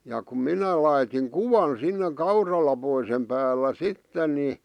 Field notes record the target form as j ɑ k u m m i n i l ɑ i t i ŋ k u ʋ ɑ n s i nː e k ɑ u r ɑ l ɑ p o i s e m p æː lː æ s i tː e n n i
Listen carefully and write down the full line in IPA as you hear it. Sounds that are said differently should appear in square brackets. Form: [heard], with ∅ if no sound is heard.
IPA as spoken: j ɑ k u m m i n [æ] l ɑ i t i ŋ k u ʋ ɑ n s i nː e k ɑ u r ɑ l ɑ p o i s e m p æː lː æ s i tː e n n i